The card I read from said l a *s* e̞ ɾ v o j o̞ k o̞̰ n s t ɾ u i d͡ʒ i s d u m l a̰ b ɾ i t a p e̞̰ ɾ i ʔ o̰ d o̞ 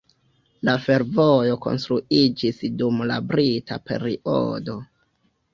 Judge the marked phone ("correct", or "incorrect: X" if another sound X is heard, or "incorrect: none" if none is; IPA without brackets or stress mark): incorrect: f